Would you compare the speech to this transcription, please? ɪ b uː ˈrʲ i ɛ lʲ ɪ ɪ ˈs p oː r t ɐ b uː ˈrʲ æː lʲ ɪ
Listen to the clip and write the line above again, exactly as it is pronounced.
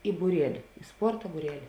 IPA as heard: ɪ b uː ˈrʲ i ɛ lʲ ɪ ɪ ˈs p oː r t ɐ b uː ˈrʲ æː lʲ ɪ